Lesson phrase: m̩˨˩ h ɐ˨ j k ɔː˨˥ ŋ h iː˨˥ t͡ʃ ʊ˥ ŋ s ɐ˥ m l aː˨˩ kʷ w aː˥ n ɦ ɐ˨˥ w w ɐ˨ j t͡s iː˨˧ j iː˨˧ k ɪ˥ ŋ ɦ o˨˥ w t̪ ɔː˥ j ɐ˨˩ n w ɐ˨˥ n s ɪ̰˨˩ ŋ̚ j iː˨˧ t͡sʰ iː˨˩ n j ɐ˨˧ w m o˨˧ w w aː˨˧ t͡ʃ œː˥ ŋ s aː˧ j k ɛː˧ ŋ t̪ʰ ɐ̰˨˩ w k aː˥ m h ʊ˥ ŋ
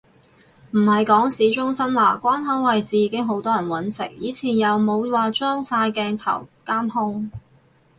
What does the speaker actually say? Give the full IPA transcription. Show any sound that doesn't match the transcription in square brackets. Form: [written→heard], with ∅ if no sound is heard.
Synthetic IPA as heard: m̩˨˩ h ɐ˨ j k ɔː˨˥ ŋ [h→s] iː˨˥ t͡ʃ ʊ˥ ŋ s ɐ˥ m l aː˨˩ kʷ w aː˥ n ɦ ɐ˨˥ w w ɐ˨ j t͡s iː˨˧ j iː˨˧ k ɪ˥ ŋ ɦ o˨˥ w t̪ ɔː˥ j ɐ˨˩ n w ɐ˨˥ n s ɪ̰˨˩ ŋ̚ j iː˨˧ t͡sʰ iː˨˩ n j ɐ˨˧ w m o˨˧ w w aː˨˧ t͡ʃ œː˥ ŋ s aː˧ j k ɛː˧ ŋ t̪ʰ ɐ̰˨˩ w k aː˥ m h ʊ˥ ŋ